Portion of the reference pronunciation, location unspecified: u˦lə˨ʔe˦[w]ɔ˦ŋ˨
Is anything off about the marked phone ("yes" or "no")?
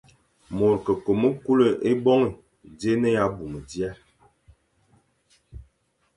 yes